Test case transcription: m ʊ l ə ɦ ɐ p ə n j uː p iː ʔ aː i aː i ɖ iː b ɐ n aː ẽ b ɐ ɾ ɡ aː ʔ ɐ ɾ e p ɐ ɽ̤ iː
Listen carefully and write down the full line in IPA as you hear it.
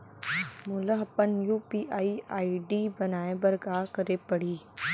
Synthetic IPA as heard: m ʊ l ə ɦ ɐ p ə n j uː p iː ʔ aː i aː i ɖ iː b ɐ n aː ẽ b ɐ ɾ ɡ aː k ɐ ɾ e p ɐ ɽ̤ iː